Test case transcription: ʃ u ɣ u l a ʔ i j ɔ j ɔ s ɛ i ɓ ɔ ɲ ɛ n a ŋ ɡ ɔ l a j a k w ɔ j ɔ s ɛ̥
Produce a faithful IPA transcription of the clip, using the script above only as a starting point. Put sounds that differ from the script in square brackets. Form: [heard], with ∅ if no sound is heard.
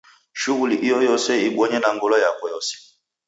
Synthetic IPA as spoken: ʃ u ɣ u l [i] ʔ i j ɔ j ɔ s ɛ i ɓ ɔ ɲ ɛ n a ŋ ɡ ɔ l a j a k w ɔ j ɔ s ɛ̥